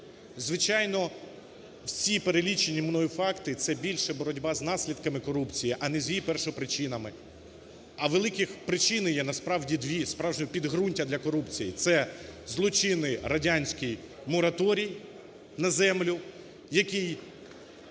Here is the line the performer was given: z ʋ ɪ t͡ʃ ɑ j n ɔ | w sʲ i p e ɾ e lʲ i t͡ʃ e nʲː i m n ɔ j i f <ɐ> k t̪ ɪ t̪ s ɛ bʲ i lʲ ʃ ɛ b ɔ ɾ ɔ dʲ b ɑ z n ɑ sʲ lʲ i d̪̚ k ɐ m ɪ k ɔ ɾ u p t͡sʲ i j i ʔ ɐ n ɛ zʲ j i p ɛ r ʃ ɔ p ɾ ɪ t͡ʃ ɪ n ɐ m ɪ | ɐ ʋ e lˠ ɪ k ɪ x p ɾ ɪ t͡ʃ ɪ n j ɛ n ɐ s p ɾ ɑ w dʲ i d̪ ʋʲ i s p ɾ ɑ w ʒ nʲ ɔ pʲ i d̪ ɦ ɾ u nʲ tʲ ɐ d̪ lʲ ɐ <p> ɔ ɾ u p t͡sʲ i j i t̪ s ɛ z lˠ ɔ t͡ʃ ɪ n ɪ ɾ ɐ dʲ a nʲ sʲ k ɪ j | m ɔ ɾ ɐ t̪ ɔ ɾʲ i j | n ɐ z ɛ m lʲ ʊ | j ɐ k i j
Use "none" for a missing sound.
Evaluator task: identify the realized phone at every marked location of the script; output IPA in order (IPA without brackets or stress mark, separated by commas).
ɑ, k